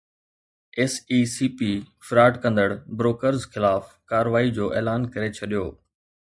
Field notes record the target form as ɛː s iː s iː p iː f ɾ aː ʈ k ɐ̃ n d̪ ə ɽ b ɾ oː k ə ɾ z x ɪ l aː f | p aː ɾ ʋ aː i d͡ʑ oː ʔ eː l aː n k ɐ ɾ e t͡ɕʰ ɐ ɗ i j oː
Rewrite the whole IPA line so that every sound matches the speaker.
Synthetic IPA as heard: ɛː s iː s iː p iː f ɾ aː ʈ k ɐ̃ n d̪ ə ɽ b ɾ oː k ə ɾ z x ɪ l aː f | k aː ɾ ʋ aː i d͡ʑ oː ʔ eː l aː n k ɐ ɾ e t͡ɕʰ ɐ ɗ i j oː